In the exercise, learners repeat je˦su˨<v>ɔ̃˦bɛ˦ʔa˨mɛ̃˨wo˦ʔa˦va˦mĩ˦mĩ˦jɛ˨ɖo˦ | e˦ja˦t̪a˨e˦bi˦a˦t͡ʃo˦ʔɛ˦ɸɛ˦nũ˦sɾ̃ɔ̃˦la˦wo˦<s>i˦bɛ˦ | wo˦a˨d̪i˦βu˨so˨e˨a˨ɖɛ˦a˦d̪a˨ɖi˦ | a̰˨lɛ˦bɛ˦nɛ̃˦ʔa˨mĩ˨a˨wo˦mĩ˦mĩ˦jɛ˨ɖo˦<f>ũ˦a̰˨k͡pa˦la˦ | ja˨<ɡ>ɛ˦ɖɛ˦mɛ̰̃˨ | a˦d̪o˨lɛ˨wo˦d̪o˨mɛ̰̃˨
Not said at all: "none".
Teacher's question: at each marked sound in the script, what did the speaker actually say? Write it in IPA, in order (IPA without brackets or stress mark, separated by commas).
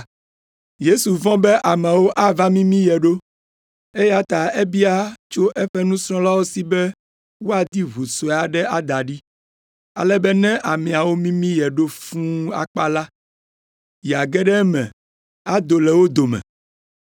v, s, f, ɡ